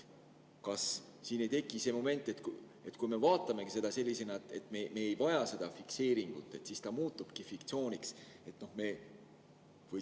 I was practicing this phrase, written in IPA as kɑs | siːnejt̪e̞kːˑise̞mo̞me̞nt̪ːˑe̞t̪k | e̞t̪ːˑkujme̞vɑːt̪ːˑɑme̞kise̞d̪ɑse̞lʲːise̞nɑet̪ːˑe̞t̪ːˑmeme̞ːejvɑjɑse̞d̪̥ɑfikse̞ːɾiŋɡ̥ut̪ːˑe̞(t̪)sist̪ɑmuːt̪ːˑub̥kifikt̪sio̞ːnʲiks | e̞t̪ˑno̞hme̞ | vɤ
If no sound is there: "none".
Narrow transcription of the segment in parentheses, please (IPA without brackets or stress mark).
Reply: t̪